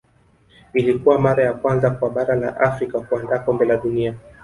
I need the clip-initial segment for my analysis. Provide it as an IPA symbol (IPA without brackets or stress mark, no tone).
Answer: i